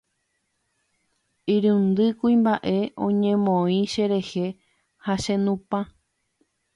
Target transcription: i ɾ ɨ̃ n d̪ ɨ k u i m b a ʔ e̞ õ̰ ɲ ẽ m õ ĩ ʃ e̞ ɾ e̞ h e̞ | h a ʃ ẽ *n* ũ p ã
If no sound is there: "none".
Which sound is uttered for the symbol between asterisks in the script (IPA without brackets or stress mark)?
n